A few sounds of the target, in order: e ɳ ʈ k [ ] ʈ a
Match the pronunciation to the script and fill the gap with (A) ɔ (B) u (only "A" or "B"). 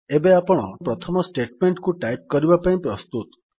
B